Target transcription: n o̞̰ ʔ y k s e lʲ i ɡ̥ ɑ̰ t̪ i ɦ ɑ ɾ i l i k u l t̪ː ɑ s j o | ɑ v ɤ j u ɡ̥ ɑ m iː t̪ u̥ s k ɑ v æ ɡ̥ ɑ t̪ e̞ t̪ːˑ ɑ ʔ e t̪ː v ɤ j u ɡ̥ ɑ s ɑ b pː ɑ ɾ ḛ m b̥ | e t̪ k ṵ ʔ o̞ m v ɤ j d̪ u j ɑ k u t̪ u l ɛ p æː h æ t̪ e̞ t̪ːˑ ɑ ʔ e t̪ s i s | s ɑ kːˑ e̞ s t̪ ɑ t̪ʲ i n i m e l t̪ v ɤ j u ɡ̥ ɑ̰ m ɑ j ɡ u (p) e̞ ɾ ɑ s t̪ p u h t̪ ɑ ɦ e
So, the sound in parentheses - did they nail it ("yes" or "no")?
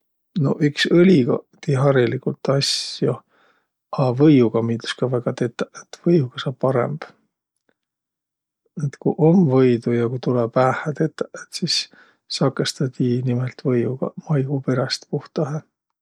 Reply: yes